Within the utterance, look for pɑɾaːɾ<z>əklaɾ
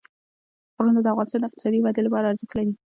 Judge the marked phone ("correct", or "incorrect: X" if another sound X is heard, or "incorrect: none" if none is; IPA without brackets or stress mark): correct